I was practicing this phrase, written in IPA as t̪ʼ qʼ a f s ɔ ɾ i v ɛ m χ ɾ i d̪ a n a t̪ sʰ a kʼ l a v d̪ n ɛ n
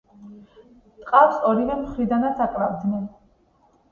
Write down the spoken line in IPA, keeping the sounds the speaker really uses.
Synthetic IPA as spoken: t̪ʼ qʼ a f s ɔ ɾ i v ɛ m χ ɾ i d̪ a n a t̪ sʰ a kʼ l a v d̪ n ɛ n